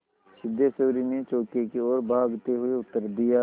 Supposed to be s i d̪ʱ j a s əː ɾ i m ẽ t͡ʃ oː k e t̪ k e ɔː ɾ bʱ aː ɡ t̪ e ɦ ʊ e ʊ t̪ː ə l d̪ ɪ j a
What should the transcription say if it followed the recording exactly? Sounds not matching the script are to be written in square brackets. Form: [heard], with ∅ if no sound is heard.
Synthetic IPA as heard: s [ɪ] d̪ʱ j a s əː ɾ i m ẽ t͡ʃ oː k e [∅] k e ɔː ɾ bʱ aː ɡ t̪ e ɦ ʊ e ʊ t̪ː ə [ɾ] d̪ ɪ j a